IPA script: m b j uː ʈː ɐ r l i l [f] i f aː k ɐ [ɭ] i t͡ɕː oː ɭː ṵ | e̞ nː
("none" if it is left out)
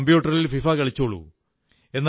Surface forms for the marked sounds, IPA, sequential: f, ɭ

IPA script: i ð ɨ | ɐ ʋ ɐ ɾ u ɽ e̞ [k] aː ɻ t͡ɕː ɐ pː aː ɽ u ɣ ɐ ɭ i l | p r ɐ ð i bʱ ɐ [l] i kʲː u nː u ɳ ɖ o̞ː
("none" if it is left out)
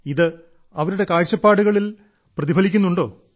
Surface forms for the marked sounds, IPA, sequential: k, l

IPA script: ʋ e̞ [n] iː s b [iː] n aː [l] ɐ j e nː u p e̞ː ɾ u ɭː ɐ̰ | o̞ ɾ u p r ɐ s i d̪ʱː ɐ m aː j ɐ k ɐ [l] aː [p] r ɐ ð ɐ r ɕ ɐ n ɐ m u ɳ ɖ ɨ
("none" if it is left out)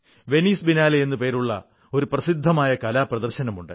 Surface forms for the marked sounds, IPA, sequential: n, i, l, l, p

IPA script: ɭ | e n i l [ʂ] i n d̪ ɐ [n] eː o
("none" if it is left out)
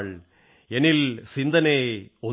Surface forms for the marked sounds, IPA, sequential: s, n

